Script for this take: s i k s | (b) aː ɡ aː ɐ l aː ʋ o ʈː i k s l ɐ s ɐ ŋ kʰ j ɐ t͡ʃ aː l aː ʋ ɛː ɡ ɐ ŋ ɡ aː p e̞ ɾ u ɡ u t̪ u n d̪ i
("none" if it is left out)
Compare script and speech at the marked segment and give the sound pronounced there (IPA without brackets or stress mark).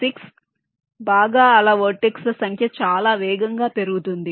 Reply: b